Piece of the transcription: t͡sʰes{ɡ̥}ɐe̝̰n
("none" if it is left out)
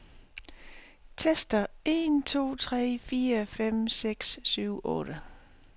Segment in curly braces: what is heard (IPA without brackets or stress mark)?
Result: d̥